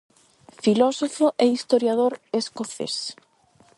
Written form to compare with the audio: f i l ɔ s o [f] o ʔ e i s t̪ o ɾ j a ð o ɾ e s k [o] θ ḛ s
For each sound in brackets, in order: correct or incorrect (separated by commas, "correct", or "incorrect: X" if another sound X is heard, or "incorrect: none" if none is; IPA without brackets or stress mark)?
correct, correct